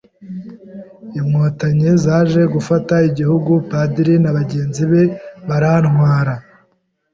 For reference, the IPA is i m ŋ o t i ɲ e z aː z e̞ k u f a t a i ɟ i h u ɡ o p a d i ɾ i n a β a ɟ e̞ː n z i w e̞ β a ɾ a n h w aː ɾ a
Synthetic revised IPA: i m ŋ o t a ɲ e z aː ʒ e̞ ɡ u f a t a i ɟ i h u ɡ u p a d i ɾ i n a β a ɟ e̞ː n z i β e̞ β a ɾ a n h w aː ɾ a